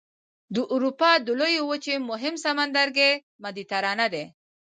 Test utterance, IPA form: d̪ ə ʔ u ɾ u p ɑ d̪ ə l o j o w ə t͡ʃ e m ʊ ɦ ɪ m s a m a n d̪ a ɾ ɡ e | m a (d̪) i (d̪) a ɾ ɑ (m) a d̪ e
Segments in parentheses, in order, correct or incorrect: correct, incorrect: t̪, incorrect: n

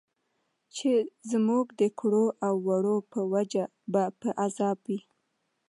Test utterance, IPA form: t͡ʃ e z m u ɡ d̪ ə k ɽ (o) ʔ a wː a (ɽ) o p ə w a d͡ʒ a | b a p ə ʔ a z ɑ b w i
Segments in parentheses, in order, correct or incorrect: correct, correct

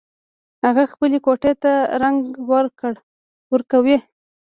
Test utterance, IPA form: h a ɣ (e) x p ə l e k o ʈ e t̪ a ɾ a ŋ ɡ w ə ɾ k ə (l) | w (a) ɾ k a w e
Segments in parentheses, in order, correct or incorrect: incorrect: a, incorrect: ɽ, incorrect: ə

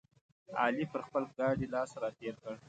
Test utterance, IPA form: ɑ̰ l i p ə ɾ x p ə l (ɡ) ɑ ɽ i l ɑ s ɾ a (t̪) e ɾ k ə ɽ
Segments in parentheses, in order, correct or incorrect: correct, correct

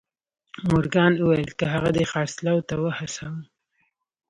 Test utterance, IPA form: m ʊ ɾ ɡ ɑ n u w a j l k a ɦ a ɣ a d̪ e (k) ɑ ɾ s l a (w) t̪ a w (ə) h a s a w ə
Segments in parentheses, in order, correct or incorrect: incorrect: x, correct, correct

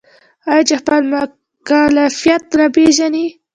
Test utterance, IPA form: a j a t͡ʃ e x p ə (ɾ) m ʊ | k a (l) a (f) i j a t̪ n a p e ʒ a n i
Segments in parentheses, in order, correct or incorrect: incorrect: l, correct, correct

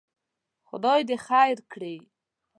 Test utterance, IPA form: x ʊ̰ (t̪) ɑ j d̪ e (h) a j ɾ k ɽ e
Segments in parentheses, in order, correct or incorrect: incorrect: d̪, incorrect: x

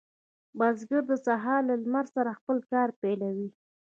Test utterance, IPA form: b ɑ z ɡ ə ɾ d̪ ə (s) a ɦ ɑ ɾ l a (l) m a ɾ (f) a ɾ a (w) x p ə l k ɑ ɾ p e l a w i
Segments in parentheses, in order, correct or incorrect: correct, correct, incorrect: s, incorrect: none

